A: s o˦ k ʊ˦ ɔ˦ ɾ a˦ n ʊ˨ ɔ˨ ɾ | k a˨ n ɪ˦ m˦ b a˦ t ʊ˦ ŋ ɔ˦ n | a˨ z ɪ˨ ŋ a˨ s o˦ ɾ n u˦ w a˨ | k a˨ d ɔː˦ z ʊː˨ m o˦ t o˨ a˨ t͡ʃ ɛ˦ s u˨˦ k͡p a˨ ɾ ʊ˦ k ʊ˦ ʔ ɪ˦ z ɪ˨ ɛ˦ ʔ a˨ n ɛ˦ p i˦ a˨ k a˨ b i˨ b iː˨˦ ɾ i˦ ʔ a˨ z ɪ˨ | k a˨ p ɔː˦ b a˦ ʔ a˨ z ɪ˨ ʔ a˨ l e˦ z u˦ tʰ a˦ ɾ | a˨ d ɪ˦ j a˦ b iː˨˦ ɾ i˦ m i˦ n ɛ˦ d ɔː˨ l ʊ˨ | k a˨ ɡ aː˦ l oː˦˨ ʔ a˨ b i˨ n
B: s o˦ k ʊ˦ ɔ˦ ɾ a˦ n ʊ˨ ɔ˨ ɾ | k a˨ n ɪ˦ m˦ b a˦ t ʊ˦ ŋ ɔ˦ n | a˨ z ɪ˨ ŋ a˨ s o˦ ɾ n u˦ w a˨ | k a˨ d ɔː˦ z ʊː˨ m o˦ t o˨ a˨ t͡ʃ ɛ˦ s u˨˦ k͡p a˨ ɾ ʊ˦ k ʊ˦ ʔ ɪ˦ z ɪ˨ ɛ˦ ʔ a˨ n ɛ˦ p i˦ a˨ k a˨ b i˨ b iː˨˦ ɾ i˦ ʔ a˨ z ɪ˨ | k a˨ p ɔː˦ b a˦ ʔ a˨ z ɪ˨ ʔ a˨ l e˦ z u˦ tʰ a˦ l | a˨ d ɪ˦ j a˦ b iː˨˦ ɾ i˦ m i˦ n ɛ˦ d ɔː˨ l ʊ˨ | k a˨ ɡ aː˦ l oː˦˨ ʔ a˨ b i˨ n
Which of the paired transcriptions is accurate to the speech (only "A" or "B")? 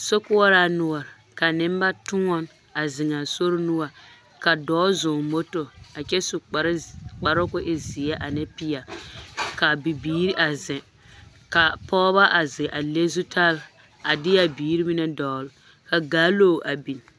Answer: B